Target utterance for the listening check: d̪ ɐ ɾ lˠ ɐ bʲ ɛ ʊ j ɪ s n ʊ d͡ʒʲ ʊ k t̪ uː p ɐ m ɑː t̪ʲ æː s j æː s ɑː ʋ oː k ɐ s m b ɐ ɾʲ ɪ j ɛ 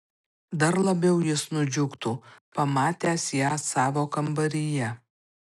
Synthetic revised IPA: d̪ ɐ ɾ lˠ ɐ bʲ ɛ ʊ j ɪ s n ʊ d͡ʒʲ ʊ k t̪ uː p ɐ m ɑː t̪ʲ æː s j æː s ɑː ʋ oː k ɐ m b ɐ ɾʲ ɪ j ɛ